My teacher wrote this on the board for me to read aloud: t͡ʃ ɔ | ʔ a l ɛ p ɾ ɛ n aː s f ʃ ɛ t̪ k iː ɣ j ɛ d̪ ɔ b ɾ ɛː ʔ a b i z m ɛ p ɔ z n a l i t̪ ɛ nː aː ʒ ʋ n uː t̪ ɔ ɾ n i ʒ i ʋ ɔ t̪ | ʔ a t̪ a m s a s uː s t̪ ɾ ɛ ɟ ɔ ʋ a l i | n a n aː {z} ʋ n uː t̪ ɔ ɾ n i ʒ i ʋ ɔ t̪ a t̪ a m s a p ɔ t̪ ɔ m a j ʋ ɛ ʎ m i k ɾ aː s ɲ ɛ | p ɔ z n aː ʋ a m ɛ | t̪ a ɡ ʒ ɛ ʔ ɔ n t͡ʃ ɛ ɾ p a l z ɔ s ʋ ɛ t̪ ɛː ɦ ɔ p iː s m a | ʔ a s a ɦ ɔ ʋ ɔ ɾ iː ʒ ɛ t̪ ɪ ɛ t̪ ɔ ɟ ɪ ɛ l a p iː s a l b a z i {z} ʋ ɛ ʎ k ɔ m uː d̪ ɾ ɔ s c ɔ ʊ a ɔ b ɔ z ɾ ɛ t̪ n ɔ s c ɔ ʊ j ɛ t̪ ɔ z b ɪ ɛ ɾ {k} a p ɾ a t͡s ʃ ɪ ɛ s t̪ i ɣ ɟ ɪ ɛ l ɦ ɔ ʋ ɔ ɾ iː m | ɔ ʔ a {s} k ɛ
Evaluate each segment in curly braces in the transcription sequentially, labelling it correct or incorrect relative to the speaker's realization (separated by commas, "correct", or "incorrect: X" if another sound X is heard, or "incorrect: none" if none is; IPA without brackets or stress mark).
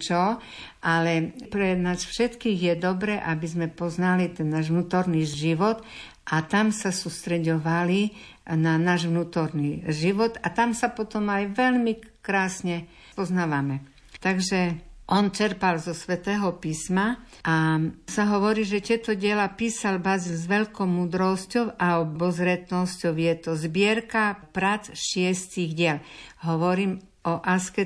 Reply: incorrect: ʒ, correct, correct, correct